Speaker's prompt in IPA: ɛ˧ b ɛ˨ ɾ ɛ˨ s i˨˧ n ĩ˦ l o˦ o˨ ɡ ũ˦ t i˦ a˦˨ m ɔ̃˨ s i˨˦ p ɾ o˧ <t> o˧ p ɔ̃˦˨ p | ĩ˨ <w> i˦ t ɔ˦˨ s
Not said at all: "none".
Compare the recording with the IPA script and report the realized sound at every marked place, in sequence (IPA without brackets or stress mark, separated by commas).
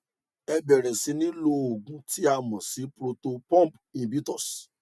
t, b